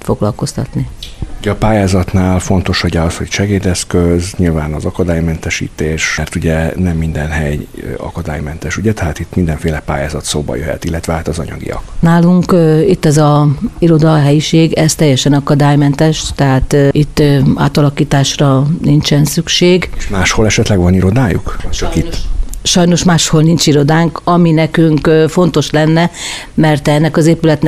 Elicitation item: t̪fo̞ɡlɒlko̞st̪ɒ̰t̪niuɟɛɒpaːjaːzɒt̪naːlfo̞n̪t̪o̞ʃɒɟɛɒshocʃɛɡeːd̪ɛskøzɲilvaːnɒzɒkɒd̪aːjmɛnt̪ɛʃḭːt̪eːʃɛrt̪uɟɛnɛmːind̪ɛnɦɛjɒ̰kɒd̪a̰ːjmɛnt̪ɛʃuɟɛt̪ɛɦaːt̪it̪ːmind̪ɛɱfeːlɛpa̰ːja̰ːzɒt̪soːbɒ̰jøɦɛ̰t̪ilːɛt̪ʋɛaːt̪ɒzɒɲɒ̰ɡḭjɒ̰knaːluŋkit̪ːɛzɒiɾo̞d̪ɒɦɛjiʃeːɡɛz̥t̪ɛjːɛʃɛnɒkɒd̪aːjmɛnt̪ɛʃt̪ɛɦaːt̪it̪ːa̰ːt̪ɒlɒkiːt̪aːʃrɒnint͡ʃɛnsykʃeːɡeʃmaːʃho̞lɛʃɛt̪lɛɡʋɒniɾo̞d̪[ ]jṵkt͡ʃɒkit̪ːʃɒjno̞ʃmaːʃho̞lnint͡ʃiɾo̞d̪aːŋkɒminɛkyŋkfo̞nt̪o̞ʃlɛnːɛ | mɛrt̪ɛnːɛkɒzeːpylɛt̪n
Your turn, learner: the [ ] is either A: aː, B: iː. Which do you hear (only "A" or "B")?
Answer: A